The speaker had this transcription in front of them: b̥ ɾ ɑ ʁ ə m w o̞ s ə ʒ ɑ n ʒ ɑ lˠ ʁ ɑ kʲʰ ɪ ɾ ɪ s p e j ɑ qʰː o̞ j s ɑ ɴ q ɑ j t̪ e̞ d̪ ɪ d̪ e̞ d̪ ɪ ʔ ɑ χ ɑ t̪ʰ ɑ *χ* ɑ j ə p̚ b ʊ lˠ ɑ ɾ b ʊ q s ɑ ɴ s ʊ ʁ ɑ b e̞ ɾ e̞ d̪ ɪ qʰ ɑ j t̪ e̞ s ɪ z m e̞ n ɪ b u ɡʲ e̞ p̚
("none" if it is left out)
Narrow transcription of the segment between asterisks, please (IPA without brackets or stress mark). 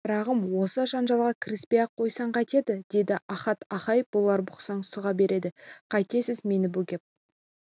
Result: χ